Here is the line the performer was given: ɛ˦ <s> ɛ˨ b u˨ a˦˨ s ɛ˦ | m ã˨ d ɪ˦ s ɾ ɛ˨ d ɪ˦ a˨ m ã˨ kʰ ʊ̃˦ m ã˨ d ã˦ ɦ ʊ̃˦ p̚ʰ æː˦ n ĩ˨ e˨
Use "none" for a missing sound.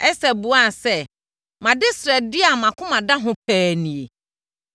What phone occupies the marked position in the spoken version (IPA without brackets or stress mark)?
s